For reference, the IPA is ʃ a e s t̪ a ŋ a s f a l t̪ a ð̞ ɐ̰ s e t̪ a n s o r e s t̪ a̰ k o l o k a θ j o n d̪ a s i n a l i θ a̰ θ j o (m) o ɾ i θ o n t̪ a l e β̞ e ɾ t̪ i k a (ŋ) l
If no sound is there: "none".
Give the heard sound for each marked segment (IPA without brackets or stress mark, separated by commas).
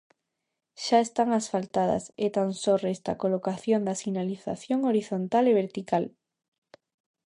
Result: ŋ, none